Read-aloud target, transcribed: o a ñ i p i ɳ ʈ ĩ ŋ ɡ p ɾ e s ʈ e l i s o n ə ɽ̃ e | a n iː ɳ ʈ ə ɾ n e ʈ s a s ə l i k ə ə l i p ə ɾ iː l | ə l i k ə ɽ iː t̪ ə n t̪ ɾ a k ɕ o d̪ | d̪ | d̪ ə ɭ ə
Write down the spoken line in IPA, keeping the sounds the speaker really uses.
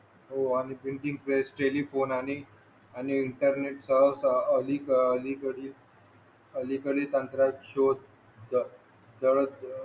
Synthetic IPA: o a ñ i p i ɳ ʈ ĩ ŋ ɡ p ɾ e s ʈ e l i f o n a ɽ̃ i | a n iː ɳ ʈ ə ɾ n e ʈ s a s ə l i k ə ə l i k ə ɽ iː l | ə l i k ə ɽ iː t̪ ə n t̪ ɾ a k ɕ o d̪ | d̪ | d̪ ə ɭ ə